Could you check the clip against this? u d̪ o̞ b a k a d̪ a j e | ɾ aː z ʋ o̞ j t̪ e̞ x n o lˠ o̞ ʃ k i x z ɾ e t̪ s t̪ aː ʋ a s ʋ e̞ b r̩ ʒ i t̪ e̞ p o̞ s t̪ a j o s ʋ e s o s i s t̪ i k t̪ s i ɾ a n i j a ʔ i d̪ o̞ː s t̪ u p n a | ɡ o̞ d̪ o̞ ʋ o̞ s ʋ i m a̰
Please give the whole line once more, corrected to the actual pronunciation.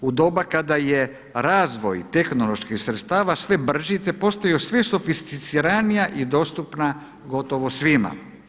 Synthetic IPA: u d̪ o̞ b a k a d̪ a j e | ɾ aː z ʋ o̞ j t̪ e̞ x n o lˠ o̞ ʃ k i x s ɾ e t̪ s t̪ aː ʋ a s ʋ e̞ b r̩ ʒ i t̪ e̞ p o̞ s t̪ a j o s ʋ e s o f i s t̪ i t̪ s i ɾ a n i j a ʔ i d̪ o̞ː s t̪ u p n a | ɡ o̞ t̪ o̞ ʋ o̞ s ʋ i m a̰

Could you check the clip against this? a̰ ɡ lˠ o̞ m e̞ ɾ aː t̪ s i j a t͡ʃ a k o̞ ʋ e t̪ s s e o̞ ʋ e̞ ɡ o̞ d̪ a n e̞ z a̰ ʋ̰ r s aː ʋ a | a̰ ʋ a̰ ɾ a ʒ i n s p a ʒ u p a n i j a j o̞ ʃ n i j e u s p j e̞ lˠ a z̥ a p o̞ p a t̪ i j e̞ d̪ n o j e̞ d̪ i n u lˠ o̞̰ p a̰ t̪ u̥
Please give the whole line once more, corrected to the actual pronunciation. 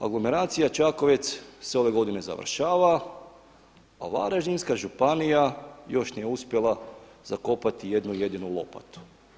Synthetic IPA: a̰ ɡ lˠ o̞ m e̞ ɾ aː t̪ s i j a t͡ʃ a k o̞ ʋ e t̪ s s e o̞ ʋ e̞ ɡ o̞ d̪ i n e̞ z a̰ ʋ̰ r ʃ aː ʋ a | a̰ ʋ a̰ ɾ a ʒ i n s k a ʒ u p a n i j a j o̞ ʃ n i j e u s p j e̞ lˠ a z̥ a k o̞ p a t̪ i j e̞ d̪ n u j e̞ d̪ i n u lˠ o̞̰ p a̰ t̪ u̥

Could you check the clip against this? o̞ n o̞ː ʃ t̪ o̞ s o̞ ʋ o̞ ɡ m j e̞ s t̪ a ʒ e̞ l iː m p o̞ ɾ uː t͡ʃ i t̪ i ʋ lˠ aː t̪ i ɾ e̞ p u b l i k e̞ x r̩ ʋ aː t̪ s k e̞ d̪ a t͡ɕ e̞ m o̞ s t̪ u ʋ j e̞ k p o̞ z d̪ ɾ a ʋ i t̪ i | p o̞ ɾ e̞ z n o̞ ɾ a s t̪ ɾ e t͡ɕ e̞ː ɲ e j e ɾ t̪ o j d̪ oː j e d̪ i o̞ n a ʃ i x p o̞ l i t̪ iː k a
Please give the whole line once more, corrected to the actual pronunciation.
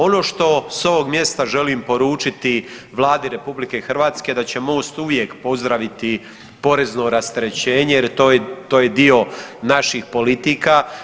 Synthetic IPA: o̞ n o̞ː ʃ t̪ o̞ s o̞ ʋ o̞ ɡ m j e̞ s t̪ a ʒ e̞ l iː m p o̞ ɾ uː t͡ʃ i t̪ i ʋ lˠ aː d̪ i ɾ e̞ p u b l i k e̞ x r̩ ʋ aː t̪ s k e̞ d̪ a t͡ɕ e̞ m o̞ s t̪ u ʋ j e̞ k p o̞ z d̪ ɾ a ʋ i t̪ i | p o̞ ɾ e̞ z n o̞ ɾ a s t̪ ɾ e t͡ɕ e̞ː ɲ e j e ɾ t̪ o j t̪ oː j e d̪ i o̞ n a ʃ i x p o̞ l i t̪ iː k a

